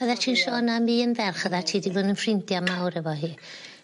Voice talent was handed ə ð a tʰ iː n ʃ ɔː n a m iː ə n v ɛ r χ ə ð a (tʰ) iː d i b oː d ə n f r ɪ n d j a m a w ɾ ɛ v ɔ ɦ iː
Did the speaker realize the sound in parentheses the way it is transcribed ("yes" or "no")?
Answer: yes